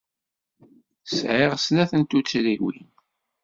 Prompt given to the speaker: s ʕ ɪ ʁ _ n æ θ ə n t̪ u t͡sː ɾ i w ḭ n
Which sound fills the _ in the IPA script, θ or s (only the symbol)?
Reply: s